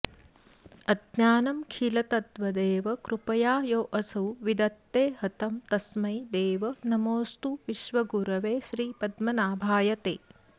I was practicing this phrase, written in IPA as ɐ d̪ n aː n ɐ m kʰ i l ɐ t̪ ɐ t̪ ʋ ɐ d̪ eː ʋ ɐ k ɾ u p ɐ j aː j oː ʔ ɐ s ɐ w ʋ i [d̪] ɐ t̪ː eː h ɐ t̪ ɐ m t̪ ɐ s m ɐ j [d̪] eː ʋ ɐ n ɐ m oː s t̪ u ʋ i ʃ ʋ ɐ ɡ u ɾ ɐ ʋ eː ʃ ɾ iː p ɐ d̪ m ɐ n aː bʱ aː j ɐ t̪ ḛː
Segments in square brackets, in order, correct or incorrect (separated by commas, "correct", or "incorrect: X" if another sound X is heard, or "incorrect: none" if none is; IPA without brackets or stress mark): correct, correct